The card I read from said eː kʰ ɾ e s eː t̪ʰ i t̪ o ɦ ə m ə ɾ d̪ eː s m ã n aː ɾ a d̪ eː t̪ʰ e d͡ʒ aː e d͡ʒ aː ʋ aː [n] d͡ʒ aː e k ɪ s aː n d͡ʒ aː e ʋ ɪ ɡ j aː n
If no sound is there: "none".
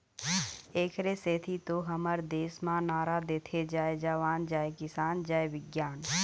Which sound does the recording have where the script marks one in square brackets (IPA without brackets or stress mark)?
n